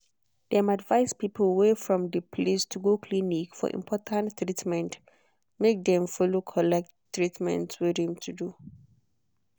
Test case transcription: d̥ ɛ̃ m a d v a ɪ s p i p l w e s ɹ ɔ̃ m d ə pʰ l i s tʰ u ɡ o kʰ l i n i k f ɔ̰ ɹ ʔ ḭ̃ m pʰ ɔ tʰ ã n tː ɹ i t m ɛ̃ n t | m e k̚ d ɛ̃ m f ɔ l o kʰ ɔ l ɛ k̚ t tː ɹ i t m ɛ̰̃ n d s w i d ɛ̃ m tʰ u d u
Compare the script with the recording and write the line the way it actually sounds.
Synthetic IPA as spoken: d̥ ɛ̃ m a d v a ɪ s p i p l w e f ɹ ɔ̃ m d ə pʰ l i s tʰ u ɡ o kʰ l i n i k f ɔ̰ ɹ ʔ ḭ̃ m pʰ ɔ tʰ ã n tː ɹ i t m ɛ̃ n t | m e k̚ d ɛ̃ m f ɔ l o kʰ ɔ l ɛ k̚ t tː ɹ i t m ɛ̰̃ n t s w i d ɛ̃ m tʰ u d u